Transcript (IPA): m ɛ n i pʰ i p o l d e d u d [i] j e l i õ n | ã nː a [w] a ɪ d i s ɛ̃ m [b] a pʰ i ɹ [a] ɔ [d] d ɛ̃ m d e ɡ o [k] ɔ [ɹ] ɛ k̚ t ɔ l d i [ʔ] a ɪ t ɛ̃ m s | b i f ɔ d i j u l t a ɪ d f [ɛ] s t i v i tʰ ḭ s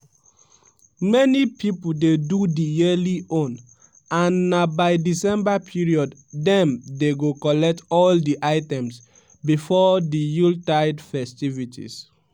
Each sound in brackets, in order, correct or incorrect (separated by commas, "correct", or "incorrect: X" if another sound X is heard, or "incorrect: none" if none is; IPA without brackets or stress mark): correct, incorrect: b, correct, incorrect: i, correct, correct, incorrect: l, correct, correct